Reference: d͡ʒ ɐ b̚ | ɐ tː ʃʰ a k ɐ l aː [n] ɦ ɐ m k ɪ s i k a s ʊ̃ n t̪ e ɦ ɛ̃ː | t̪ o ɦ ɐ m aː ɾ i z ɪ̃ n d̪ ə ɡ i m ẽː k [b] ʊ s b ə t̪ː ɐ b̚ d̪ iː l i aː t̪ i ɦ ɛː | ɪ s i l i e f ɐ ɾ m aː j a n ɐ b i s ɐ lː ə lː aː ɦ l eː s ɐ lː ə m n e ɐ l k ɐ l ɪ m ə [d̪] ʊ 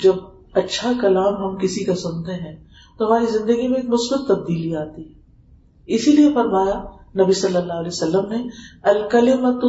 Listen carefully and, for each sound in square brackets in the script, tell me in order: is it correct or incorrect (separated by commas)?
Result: incorrect, incorrect, incorrect